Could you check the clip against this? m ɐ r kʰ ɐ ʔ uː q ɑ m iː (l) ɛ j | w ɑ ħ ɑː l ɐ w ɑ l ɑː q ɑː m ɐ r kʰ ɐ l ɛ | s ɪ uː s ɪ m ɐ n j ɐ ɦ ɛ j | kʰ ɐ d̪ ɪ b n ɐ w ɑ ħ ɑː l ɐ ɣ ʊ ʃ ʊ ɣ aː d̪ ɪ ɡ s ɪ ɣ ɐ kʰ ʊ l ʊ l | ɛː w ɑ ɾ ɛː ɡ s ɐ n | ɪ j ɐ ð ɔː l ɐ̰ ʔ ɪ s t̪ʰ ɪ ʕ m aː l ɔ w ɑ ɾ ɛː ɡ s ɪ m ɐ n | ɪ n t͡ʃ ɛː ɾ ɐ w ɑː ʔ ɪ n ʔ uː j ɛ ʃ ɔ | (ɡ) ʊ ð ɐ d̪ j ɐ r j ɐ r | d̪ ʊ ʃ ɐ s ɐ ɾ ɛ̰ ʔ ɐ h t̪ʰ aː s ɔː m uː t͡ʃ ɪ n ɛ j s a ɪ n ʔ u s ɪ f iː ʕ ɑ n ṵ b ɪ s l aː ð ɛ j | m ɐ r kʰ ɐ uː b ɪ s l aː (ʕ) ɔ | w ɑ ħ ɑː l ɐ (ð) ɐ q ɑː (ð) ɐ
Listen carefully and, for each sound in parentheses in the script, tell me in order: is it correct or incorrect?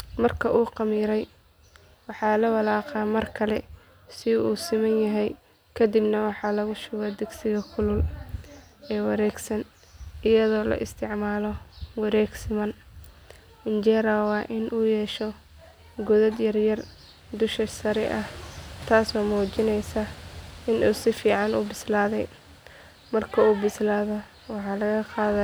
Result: incorrect, correct, incorrect, incorrect, correct

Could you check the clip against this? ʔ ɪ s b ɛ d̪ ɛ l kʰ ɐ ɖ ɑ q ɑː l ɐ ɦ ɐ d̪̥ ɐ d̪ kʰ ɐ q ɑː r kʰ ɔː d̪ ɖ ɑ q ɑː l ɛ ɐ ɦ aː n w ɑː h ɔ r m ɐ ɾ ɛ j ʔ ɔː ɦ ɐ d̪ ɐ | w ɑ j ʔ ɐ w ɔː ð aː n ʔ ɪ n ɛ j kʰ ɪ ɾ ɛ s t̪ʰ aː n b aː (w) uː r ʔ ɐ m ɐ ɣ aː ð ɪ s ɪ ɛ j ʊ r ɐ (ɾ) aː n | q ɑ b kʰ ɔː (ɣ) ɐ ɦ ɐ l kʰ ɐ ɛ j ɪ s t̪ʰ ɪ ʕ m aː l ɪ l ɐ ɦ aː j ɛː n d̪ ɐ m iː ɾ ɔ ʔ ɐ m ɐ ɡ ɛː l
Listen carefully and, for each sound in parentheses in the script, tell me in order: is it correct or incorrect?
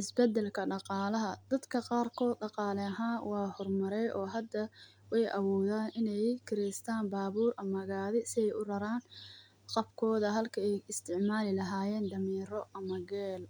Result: incorrect, correct, incorrect

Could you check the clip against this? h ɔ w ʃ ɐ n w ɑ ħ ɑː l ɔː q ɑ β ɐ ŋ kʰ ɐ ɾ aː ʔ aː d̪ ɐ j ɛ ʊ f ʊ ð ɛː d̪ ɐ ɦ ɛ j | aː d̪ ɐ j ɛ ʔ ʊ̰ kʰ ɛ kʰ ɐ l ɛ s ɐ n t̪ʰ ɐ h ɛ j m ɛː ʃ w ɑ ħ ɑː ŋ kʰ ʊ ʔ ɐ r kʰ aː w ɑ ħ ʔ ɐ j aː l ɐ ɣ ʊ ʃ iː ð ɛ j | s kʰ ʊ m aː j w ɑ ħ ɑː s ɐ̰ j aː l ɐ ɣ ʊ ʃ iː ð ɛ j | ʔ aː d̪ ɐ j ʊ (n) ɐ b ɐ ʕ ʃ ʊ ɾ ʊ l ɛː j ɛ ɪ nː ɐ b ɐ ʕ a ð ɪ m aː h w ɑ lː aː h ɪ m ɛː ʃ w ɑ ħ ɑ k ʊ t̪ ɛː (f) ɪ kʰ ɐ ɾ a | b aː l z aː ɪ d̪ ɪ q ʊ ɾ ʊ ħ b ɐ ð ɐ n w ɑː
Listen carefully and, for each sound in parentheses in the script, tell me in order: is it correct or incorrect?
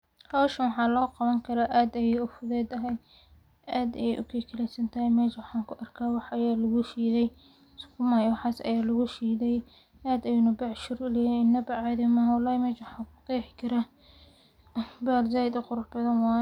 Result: correct, incorrect

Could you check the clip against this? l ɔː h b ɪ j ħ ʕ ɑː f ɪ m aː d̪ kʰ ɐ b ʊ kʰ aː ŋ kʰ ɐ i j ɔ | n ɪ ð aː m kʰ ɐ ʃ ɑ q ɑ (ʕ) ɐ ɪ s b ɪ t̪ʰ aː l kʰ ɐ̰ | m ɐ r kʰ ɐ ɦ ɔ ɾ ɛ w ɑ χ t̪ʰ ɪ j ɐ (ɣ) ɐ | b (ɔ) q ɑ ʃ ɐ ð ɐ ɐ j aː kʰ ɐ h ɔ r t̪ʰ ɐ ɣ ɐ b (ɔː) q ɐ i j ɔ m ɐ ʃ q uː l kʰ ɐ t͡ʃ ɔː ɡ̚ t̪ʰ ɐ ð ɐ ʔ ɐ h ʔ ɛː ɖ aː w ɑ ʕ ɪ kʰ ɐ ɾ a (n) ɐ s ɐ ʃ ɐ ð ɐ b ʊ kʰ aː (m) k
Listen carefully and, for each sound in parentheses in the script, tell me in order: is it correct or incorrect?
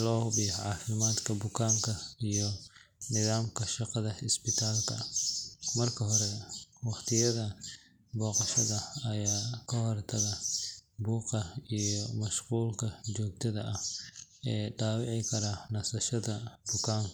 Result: incorrect, incorrect, incorrect, incorrect, correct, incorrect

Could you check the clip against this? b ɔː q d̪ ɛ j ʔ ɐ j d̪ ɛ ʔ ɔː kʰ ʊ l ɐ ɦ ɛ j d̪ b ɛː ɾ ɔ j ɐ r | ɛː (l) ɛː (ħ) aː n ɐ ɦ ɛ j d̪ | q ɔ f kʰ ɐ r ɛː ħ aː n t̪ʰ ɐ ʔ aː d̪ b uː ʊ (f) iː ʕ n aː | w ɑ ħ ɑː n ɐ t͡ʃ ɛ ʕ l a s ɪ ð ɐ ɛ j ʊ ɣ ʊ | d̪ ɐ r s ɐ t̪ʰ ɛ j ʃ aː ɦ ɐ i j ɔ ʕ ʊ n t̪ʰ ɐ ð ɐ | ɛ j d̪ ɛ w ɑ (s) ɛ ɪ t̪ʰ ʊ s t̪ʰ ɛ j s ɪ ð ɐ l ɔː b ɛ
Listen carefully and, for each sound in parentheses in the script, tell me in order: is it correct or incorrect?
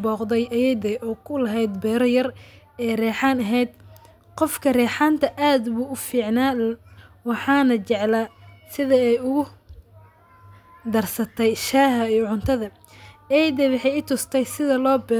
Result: incorrect, correct, correct, incorrect

